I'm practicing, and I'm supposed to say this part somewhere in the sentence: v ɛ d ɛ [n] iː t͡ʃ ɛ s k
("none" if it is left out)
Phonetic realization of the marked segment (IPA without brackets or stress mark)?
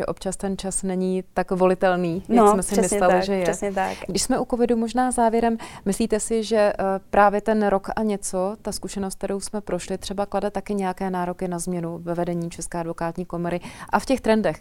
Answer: ɲ